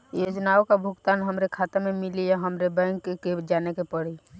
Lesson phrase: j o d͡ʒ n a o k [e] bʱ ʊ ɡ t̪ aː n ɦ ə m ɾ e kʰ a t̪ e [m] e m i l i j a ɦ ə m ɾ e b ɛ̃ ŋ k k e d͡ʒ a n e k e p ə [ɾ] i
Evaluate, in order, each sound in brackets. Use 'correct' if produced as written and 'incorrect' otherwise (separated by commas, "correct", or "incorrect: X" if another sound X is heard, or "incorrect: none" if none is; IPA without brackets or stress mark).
incorrect: a, correct, incorrect: ɽ